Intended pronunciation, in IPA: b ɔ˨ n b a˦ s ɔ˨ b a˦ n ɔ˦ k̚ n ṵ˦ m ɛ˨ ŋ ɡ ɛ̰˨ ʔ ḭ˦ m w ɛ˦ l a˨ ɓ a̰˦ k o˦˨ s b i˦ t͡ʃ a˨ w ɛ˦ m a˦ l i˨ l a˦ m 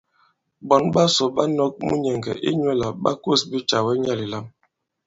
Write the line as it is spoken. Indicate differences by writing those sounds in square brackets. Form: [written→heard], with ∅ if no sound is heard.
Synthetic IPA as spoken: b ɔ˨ n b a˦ s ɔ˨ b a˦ n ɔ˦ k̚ [n→m] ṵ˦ [m→ɲ] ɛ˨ ŋ ɡ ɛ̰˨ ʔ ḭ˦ [m→ɲ] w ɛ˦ l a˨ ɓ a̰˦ k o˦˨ s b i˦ t͡ʃ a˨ w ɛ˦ [m→ɲ] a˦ l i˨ l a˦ m